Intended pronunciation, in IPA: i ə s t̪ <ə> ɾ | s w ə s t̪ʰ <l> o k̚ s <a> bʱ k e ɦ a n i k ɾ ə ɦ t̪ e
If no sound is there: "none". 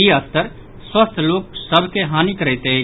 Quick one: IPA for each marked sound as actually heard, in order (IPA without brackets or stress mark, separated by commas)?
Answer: ə, l, ə